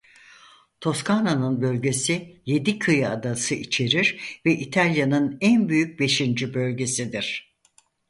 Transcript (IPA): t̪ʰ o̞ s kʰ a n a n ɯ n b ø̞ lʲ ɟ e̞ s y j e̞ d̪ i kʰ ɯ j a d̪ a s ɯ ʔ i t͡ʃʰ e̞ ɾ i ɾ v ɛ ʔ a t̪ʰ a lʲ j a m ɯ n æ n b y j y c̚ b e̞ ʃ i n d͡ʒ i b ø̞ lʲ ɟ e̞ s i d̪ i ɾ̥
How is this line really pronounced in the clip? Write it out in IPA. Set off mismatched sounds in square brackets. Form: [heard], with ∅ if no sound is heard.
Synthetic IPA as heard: t̪ʰ o̞ s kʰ a n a n ɯ n b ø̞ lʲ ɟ e̞ s [i] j e̞ d̪ i kʰ ɯ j a d̪ a s ɯ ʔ i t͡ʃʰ e̞ ɾ i ɾ v ɛ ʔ [i] t̪ʰ a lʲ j a [n] ɯ n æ n b y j y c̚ b e̞ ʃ i n d͡ʒ i b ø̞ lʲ ɟ e̞ s i d̪ i ɾ̥